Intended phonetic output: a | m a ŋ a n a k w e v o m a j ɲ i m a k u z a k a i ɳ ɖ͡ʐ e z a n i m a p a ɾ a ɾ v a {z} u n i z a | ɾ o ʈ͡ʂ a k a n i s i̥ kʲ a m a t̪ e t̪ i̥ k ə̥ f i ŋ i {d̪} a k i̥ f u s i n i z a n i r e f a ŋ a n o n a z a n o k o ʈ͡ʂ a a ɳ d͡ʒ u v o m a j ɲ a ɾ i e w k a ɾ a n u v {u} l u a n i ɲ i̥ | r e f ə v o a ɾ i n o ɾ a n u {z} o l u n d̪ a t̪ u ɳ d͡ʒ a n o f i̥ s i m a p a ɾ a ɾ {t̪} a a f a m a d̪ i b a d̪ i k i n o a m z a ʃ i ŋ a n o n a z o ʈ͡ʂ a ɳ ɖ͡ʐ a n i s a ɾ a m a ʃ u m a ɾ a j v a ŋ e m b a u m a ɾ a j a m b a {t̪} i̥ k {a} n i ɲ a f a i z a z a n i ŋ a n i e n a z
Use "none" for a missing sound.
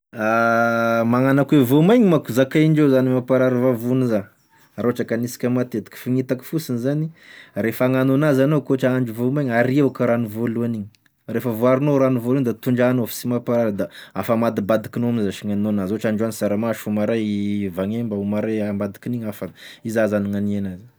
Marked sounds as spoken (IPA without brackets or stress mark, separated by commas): v, t̪, o, v, d̪, d̪, i